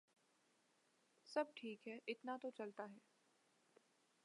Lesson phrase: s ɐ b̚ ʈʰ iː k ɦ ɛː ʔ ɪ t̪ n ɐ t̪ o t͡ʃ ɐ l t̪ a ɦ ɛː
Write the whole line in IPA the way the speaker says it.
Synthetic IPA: s ɐ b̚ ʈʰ iː k ɦ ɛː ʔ ɪ t̪ n a t̪ o t͡ʃ ɐ l t̪ a ɦ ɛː